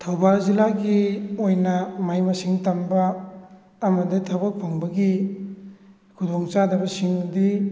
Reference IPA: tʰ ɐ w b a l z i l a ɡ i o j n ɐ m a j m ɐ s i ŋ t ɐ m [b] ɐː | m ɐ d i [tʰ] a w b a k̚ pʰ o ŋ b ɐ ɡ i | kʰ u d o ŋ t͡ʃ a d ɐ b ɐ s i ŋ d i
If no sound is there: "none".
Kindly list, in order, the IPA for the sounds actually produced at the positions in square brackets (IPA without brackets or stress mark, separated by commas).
b, tʰ